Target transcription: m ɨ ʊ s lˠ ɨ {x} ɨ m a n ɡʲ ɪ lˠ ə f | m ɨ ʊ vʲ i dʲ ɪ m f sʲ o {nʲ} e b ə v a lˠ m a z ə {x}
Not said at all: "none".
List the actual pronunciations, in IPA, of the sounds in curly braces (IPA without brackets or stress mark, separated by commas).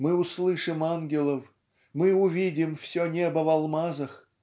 ʂ, nʲ, x